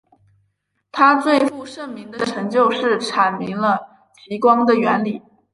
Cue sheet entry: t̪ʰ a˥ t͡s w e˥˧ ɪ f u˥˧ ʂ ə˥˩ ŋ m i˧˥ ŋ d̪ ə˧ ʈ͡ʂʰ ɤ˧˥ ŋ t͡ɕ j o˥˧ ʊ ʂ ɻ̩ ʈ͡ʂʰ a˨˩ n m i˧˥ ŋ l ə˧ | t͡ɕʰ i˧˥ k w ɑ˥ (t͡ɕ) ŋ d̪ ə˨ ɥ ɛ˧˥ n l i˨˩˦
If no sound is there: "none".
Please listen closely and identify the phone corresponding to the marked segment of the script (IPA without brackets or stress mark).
none